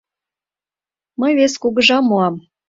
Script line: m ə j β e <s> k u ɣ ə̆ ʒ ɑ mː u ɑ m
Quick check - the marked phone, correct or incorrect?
correct